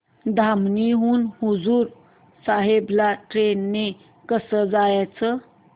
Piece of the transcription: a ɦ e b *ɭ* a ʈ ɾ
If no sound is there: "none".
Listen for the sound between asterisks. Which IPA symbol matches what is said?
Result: l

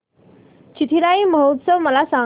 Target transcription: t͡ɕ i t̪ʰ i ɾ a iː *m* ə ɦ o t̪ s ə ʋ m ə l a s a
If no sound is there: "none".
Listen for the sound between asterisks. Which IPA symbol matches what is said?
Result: m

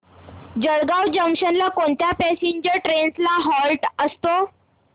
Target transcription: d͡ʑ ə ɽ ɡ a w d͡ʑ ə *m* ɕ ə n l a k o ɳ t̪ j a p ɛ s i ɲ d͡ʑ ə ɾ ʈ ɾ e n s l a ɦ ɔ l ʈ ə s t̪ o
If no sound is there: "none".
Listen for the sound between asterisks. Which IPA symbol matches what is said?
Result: m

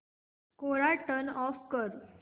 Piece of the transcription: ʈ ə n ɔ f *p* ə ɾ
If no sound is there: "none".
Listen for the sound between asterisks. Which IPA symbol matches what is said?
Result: k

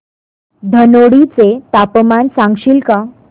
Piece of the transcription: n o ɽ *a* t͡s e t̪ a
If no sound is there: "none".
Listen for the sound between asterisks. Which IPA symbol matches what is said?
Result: i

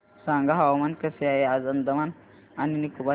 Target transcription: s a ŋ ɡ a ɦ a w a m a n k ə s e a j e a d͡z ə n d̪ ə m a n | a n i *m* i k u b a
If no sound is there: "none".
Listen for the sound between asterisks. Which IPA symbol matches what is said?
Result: n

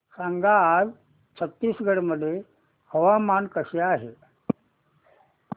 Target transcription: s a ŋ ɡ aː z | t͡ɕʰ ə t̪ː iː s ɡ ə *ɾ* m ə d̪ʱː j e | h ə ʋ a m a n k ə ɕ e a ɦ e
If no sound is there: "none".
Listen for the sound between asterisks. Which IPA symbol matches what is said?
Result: ɽ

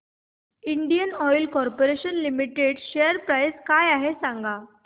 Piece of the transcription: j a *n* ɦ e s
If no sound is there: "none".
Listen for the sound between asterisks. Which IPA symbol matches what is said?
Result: none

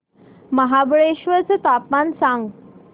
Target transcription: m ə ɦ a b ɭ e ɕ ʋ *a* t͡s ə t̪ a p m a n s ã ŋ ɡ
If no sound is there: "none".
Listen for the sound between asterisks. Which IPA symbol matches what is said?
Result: ə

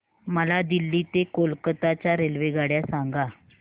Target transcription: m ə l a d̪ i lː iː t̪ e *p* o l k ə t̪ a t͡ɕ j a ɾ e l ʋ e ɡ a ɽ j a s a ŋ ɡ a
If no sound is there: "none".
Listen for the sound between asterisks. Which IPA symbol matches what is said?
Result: k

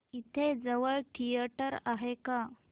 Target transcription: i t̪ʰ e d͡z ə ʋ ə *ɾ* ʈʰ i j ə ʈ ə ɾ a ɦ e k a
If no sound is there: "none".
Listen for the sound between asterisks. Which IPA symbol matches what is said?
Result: ɭ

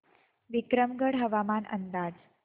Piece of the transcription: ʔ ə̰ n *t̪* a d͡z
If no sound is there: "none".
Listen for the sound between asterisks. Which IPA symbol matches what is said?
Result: d̪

